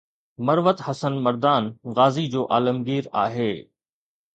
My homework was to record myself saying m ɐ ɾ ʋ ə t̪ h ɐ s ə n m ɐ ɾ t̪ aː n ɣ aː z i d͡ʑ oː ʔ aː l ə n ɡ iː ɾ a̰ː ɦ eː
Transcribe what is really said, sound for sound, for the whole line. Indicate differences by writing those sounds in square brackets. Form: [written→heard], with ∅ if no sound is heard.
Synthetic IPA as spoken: m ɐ ɾ ʋ ə t̪ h ɐ s ə n m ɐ ɾ [t̪→d̪] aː n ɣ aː z i d͡ʑ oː ʔ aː l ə [n→m] ɡ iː ɾ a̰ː ɦ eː